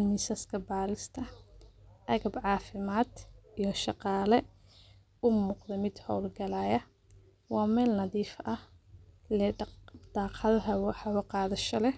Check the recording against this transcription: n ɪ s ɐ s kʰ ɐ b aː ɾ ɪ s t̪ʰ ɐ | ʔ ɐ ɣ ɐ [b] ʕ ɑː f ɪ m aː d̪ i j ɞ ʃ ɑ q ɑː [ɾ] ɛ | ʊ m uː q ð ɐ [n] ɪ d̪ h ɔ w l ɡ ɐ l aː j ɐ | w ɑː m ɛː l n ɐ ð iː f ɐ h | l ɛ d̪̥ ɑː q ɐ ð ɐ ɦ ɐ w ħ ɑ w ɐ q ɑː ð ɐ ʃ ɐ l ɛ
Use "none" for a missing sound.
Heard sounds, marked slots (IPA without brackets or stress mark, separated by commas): b, l, m